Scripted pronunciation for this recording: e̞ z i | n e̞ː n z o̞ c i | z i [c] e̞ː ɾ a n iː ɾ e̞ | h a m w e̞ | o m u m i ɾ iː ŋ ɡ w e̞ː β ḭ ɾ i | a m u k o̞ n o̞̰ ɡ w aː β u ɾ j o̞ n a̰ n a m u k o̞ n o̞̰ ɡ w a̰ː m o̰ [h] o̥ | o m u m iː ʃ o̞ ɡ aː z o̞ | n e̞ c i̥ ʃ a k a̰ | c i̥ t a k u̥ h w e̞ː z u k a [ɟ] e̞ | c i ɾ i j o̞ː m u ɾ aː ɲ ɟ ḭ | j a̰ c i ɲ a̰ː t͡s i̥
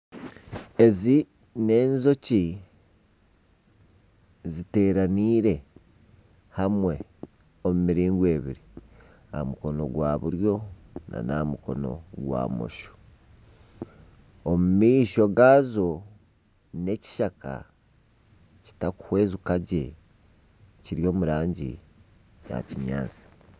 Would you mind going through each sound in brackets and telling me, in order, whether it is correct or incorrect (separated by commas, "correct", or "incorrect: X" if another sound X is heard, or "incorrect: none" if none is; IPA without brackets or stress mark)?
incorrect: t, incorrect: ʃ, correct